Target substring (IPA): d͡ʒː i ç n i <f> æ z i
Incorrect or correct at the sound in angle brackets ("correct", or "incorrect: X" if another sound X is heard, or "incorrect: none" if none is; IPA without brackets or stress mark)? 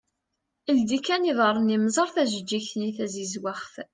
incorrect: θ